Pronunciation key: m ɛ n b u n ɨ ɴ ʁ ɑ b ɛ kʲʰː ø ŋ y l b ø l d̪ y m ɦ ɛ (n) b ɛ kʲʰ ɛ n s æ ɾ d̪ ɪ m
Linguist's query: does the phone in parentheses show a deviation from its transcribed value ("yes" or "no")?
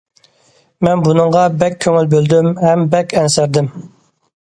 yes